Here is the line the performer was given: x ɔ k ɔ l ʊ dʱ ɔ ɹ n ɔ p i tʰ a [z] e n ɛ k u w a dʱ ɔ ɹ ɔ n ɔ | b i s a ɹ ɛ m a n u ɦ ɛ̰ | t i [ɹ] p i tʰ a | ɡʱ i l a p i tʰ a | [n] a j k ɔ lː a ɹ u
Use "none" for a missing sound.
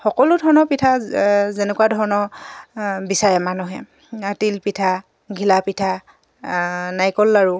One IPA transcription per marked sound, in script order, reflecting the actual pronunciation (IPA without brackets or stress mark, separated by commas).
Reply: z, l, n